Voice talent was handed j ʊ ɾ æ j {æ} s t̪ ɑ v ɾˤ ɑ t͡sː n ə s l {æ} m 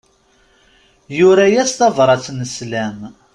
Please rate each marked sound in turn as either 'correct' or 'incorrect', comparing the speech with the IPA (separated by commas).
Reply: correct, correct